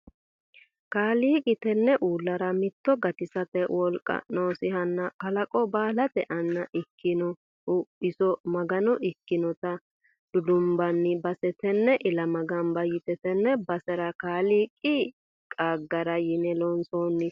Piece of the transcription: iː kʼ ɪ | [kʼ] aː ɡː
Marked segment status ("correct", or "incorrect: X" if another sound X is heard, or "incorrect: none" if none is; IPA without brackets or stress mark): correct